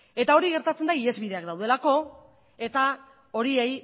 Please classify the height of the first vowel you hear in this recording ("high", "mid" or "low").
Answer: mid